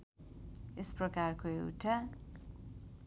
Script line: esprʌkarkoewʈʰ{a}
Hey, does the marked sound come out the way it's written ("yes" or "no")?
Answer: yes